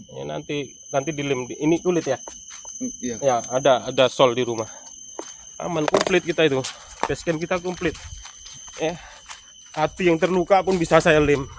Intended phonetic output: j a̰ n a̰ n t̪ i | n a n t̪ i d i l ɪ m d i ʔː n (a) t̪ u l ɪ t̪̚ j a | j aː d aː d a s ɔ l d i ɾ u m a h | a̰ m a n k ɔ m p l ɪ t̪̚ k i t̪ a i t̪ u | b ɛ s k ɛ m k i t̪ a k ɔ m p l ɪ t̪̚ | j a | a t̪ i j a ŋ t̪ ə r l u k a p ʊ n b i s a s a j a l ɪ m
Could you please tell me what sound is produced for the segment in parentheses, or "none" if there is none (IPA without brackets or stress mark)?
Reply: i